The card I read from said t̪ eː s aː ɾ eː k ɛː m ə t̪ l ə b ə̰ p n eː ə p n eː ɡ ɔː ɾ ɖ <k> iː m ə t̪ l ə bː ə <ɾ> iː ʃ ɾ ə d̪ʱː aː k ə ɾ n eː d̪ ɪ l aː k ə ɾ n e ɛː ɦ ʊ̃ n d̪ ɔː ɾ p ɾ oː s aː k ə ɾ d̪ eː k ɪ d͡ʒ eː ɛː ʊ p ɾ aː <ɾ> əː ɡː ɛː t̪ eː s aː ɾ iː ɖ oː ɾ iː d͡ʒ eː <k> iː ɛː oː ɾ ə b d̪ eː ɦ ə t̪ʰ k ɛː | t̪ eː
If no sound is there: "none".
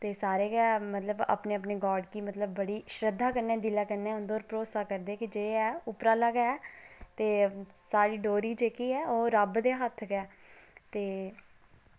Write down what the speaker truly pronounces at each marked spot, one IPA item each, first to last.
k, ɽ, l, k

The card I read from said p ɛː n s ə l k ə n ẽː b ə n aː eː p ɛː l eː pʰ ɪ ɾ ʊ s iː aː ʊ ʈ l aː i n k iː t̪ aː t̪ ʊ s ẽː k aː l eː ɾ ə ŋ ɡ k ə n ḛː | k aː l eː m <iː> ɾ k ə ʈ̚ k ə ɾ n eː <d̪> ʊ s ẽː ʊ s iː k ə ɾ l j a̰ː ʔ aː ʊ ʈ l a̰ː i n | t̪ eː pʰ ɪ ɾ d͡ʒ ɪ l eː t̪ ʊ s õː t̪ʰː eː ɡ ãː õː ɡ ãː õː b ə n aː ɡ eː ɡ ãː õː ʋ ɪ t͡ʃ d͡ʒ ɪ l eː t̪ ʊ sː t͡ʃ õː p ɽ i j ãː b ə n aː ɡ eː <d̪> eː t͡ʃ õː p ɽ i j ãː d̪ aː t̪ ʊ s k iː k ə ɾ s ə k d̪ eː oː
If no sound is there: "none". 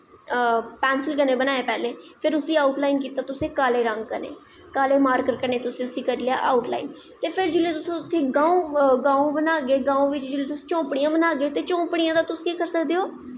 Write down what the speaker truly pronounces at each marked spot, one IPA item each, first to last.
aː, t̪, t̪

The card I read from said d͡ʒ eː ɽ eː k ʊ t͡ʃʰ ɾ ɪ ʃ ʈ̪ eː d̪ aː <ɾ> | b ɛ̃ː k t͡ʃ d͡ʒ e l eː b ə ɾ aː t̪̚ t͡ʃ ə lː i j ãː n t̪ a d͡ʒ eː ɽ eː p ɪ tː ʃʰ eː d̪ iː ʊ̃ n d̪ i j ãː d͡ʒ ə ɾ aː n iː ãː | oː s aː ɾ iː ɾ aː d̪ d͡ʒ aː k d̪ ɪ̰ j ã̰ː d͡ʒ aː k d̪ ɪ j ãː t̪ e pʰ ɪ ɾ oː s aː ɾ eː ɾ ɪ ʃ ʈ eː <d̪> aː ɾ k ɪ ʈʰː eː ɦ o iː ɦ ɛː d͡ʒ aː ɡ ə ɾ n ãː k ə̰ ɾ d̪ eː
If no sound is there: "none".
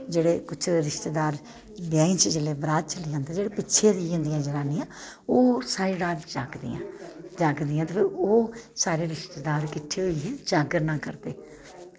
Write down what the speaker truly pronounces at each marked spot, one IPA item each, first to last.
ɾ, d̪

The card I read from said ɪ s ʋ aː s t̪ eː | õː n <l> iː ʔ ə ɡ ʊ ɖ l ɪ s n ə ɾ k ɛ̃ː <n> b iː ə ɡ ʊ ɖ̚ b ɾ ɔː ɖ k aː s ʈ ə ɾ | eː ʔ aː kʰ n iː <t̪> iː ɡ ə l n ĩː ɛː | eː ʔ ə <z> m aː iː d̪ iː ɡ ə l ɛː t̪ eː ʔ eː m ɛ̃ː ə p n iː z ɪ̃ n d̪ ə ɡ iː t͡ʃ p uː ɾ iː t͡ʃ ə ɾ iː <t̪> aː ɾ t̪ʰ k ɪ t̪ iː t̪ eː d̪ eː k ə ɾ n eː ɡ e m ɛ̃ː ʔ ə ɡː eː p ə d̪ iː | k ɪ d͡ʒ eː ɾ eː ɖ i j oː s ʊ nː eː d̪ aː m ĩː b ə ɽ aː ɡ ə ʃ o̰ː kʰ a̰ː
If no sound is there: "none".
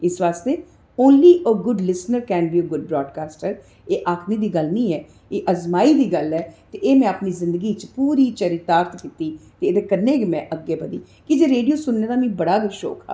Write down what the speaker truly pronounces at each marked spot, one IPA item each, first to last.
l, n, d̪, z, t̪

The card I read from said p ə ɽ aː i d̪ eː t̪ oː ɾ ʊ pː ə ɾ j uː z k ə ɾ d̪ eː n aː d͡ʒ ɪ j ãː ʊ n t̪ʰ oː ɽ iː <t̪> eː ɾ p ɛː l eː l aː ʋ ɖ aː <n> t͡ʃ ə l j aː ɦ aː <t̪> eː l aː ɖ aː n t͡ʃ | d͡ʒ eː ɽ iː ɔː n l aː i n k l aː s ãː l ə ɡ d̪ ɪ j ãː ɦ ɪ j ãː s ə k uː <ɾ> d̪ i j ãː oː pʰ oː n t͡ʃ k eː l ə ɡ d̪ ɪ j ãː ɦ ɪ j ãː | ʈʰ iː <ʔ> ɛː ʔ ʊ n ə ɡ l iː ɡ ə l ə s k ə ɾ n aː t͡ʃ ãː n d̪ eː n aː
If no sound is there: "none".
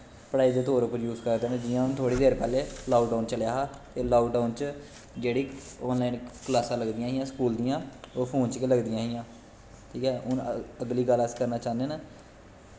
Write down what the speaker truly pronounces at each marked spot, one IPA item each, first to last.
d̪, n, t̪, l, k

